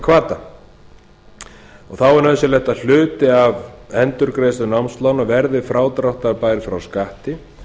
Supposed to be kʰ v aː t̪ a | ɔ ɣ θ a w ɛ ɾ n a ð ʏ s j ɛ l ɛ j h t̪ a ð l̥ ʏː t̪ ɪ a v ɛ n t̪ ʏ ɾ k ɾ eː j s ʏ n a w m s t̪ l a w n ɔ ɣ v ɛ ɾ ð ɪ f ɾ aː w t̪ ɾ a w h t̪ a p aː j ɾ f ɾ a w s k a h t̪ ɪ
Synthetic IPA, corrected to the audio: kʰ v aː t̪ a | ɔ ɣ θ a w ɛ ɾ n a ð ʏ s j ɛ l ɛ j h t̪ a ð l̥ ʏː t̪ ɪ a v ɛ n t̪ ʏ ɾ k ɾ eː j s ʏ n a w m s t̪ l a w n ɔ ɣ v ɛ ɾ ð ɪ f ɾ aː w t̪ ɾ a w h t̪ a p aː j ɾ f ɾ a w s k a h t̪ ɪ